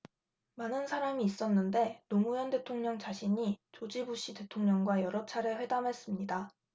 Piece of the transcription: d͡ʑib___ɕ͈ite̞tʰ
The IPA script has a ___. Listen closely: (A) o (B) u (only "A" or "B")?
B